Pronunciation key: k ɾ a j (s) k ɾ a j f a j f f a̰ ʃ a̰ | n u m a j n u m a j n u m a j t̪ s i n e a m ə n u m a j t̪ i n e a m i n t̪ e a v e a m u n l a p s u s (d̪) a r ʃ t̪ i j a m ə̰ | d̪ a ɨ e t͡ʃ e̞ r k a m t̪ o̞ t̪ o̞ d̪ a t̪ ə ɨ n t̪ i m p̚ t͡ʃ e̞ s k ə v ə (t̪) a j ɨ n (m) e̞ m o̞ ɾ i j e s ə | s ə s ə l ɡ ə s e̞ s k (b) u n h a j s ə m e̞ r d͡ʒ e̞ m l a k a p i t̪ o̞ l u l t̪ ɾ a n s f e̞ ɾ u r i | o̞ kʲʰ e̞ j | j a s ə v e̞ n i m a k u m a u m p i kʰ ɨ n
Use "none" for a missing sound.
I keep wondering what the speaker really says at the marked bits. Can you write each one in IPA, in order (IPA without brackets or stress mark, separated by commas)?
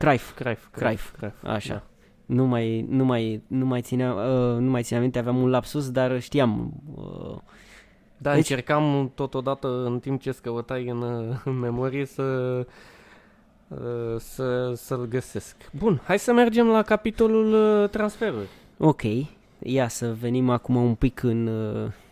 f, d̪, t̪, m, b